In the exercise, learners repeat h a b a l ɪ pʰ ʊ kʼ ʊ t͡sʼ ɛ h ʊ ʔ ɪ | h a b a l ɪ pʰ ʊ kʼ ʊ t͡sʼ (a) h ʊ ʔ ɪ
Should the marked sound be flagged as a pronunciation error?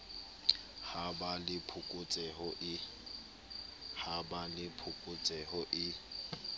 yes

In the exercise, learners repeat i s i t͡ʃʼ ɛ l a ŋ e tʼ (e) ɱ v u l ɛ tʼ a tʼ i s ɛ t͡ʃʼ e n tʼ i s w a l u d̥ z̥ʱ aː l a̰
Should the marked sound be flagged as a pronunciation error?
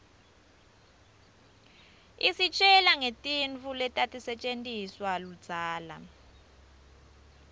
yes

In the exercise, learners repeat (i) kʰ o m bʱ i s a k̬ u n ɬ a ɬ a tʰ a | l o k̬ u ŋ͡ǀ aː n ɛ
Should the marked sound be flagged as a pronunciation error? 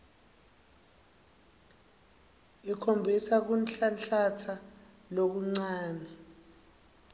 no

